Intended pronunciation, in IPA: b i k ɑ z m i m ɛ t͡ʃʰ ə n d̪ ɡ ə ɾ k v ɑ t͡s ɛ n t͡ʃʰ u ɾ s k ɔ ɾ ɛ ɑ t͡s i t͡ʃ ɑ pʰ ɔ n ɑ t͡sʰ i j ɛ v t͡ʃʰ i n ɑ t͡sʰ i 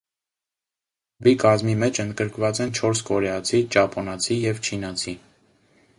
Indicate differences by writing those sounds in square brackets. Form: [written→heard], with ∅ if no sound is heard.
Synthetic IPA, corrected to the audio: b i k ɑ z m i m ɛ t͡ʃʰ ə n d̪ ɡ ə ɾ k v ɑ t͡s ɛ n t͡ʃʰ [u→ɔ] ɾ s k ɔ ɾ ɛ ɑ [t͡s→t͡sʰ] i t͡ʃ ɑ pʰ ɔ n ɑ t͡sʰ i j ɛ v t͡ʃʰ i n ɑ t͡sʰ i

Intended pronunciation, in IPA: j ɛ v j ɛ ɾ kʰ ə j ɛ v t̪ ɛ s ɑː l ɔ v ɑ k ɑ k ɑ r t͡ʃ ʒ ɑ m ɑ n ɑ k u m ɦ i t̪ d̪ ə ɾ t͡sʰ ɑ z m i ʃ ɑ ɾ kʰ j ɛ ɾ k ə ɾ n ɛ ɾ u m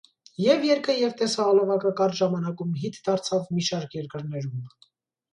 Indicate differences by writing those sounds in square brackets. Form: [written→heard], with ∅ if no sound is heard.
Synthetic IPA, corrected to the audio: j ɛ v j ɛ ɾ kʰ ə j ɛ v t̪ ɛ s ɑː l ɔ v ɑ k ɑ k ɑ [r→ɾ] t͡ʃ ʒ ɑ m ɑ n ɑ k u m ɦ i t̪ d̪ [ə→ɑ] ɾ t͡sʰ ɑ [z→v] m i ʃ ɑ ɾ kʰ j ɛ ɾ k ə ɾ n ɛ ɾ u m

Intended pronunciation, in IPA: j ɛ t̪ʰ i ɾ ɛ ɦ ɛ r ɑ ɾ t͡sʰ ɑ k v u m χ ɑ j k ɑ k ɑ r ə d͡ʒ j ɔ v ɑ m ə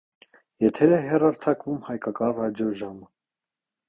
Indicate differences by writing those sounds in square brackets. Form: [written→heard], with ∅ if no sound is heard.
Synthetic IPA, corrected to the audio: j ɛ t̪ʰ [i→ɛ] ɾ ɛ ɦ ɛ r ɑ ɾ t͡sʰ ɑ k v u m [χ→h] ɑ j k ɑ k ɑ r [ə→ɑ] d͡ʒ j ɔ [v→ʒ] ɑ m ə

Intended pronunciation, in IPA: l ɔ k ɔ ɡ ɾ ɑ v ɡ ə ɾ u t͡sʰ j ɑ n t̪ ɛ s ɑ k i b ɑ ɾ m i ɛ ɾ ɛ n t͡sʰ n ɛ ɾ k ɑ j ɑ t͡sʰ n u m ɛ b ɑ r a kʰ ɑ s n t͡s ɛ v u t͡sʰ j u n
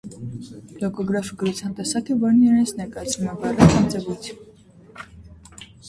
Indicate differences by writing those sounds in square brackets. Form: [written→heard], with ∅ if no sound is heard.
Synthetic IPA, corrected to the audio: l ɔ k ɔ ɡ ɾ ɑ [v→f] ɡ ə ɾ u t͡sʰ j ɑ n t̪ ɛ s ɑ k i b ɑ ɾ [m→n] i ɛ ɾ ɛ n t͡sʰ n ɛ ɾ k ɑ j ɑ t͡sʰ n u m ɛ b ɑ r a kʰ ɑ [s→∅] n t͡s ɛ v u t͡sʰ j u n

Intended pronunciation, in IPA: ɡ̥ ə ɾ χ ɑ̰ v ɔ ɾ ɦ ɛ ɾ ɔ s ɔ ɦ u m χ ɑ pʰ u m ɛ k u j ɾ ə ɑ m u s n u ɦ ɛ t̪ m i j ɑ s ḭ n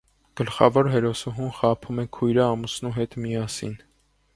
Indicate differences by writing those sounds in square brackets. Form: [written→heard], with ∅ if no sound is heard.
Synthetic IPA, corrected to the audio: ɡ̥ ə [ɾ→l] χ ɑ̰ v ɔ ɾ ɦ ɛ ɾ ɔ s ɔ ɦ u m χ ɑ pʰ u m ɛ [k→kʰ] u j ɾ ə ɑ m u s n u ɦ ɛ t̪ m i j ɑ s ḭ n

